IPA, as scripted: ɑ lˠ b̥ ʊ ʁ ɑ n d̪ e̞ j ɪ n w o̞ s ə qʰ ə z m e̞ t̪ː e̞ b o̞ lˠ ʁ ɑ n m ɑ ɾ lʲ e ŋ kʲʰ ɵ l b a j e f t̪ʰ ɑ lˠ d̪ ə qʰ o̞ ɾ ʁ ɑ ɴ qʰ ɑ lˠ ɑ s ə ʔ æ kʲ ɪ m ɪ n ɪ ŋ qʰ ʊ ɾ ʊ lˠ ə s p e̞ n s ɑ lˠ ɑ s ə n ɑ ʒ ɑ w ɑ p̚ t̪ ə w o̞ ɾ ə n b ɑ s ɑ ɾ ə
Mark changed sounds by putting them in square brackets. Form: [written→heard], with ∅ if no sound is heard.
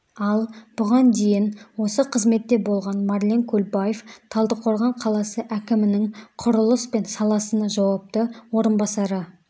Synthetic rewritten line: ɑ lˠ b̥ ʊ ʁ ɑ n d̪ e̞ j ɪ n w o̞ s ə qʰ ə z m e̞ t̪ː e̞ b o̞ lˠ ʁ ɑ n m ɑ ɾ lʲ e ŋ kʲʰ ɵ l b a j e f t̪ʰ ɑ lˠ d̪ ə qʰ o̞ ɾ ʁ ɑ ɴ qʰ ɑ lˠ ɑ s ə ʔ æ kʲ ɪ m ɪ n ɪ ŋ qʰ ʊ ɾ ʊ lˠ ə s p e̞ n s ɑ lˠ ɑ s ə n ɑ ʒ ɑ w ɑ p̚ t̪ ə w o̞ ɾ ə n b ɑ s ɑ ɾ ə